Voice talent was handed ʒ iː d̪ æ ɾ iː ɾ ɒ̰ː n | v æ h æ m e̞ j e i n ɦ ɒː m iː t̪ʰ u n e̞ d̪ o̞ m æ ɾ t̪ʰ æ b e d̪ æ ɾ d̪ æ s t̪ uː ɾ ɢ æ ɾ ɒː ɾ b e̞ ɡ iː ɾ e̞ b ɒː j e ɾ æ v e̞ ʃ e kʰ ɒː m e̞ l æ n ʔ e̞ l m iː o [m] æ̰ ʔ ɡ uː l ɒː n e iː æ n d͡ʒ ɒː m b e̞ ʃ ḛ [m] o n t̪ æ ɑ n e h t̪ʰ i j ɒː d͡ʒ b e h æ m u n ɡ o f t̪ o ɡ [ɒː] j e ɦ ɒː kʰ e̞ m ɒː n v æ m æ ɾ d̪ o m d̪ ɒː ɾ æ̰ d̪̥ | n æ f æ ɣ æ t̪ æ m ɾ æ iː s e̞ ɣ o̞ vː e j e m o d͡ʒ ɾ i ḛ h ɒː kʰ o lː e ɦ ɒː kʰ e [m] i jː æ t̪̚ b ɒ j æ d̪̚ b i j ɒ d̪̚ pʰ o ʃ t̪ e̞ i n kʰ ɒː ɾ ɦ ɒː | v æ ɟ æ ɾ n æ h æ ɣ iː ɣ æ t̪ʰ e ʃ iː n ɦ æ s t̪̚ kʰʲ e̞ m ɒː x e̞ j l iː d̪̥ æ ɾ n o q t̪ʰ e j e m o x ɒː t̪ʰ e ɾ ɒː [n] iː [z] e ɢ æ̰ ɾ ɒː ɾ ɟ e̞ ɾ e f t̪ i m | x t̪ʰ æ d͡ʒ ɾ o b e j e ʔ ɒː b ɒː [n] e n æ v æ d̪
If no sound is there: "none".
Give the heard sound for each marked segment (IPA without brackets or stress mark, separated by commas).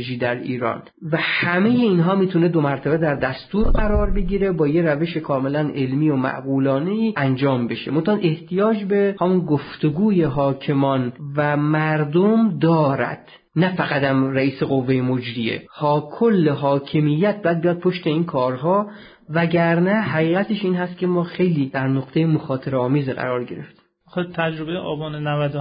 m, m, uː, m, m, z, n